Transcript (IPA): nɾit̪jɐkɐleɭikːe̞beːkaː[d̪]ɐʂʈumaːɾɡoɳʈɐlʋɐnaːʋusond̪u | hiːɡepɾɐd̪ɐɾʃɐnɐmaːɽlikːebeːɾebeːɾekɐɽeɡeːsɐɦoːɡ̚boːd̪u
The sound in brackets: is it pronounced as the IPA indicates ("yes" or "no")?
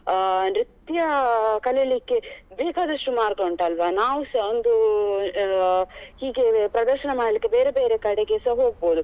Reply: yes